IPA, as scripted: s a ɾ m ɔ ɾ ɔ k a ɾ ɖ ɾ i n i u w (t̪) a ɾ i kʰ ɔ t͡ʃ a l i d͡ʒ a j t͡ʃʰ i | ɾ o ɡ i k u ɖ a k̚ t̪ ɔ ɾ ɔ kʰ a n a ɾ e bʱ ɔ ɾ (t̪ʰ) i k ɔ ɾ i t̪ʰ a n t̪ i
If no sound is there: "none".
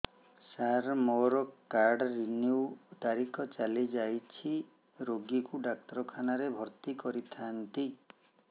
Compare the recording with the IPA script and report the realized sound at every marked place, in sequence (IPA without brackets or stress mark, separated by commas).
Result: t̪, t̪